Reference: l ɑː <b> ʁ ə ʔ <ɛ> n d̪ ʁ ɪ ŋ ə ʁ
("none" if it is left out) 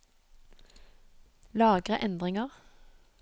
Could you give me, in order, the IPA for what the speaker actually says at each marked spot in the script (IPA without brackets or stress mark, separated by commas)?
ɡ, ɛ